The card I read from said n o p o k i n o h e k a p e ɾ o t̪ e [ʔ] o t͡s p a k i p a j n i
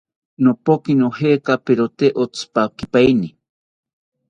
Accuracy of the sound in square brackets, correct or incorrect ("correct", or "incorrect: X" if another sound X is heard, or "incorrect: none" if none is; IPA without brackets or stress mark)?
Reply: correct